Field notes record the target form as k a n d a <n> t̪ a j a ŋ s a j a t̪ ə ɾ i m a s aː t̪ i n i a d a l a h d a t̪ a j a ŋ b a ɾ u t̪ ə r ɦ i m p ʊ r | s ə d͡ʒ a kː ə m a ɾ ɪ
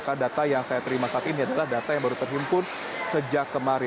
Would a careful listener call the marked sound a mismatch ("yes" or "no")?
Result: yes